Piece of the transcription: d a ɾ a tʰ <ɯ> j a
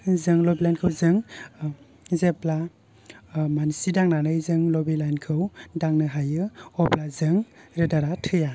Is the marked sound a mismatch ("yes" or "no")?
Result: no